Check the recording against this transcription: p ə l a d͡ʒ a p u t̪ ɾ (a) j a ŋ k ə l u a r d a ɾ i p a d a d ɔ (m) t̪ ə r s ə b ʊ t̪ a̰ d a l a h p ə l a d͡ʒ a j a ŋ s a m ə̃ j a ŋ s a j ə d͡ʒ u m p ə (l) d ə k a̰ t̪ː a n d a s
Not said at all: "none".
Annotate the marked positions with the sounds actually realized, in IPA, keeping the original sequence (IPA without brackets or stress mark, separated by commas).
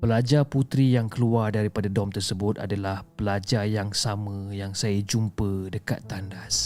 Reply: i, m, none